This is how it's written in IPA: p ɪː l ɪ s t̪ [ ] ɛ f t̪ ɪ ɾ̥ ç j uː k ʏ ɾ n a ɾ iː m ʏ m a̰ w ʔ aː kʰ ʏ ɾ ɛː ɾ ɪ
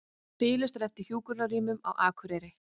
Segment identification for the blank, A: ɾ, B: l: A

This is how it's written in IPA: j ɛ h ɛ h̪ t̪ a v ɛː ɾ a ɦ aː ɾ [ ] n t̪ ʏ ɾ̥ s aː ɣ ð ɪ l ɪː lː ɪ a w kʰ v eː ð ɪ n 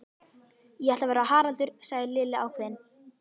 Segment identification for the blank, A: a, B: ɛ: A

